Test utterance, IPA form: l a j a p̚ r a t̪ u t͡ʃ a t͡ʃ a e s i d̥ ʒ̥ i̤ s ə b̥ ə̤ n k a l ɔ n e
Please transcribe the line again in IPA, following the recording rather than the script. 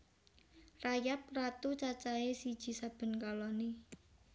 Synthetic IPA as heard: r a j a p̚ r a t̪ u t͡ʃ a t͡ʃ a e s i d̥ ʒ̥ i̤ s a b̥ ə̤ n k a l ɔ n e

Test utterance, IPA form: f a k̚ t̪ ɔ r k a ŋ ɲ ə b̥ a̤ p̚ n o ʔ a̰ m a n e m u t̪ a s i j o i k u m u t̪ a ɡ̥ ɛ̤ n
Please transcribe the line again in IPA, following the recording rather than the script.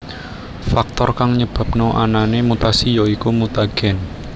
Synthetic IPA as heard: f a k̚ t̪ ɔ r k a ŋ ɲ ə b̥ a̤ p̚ n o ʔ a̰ n a n e m u t̪ a s i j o i k u m u t̪ a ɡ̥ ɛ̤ n

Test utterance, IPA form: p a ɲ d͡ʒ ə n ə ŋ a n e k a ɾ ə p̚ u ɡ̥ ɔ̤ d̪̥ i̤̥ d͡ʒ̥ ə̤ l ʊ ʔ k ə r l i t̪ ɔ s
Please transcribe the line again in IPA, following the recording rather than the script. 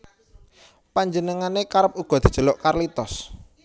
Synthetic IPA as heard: p a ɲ d͡ʒ ə n ə ŋ a n e k a ɾ ə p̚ u ɡ̥ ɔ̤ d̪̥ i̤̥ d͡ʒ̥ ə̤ l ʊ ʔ k a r l i t̪ ɔ s

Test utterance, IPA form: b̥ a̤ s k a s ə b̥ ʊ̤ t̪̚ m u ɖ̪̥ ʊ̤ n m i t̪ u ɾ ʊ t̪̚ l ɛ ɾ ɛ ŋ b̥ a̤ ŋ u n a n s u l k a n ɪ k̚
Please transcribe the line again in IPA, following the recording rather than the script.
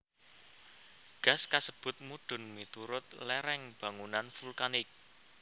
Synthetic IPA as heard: ɡ̥ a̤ s k a s ə b̥ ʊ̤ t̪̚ m u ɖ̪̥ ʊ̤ n m i t̪ u ɾ ʊ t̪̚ l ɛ ɾ ɛ ŋ b̥ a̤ ŋ u n a n f u l k a n ɪ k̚

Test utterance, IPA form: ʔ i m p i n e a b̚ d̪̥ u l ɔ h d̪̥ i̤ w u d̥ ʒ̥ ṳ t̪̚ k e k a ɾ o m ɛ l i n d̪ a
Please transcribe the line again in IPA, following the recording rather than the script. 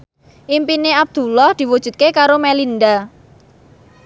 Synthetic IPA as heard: ʔ i m p i n e a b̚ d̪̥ u l ɔ h d̪̥ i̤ w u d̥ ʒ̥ ṳ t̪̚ k e k a ɾ o m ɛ l i n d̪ a

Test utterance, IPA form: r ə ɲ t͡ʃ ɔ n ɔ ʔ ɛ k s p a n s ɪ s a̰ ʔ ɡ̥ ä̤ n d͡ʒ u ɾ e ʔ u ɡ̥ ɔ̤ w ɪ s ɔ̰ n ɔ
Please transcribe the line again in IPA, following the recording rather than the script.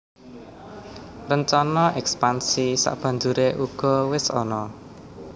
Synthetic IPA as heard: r ə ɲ t͡ʃ ɔ n ɔ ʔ ɛ k s p a n s i s a̰ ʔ b̥ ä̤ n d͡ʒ u ɾ e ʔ u ɡ̥ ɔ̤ w ɪ s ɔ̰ n ɔ

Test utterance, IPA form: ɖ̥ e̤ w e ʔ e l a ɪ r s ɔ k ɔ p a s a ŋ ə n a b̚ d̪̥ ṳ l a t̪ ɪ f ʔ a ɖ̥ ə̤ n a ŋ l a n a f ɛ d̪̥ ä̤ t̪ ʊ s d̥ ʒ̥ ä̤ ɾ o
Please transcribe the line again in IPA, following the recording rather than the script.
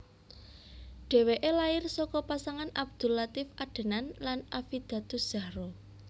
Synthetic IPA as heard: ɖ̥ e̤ w e ʔ e l a ɪ r s ɔ k ɔ p a s a ŋ a n a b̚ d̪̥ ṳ l a t̪ ɪ f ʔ a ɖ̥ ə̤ n a n l a n a f i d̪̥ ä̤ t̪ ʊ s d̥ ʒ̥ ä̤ ɾ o

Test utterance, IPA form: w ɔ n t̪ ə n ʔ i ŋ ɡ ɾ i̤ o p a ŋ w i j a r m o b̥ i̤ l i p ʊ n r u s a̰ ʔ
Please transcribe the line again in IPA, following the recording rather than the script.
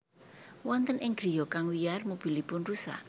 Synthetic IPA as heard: w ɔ n t̪ ə n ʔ ɪ ŋ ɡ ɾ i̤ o k a ŋ w i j a r m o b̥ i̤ l i p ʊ n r u s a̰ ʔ

